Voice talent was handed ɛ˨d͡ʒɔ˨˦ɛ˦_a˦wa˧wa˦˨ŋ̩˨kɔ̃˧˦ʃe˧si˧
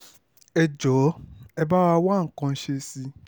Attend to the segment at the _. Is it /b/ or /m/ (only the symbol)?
b